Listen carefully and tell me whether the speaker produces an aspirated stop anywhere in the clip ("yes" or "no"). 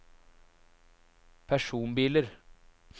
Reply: yes